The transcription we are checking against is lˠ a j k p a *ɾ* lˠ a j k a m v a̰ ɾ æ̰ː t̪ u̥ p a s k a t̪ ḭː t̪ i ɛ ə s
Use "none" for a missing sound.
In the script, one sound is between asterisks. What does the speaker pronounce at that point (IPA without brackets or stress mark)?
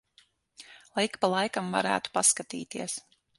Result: none